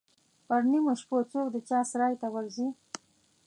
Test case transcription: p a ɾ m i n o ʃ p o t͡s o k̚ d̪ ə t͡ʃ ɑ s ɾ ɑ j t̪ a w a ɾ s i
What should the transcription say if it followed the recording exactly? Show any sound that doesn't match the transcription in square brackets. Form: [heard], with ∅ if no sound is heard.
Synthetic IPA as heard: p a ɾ [n] i [m] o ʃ p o t͡s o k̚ d̪ ə t͡ʃ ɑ s ɾ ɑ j t̪ a w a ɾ [z] i